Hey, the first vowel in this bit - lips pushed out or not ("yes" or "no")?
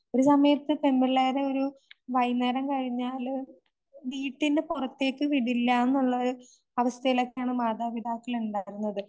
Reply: yes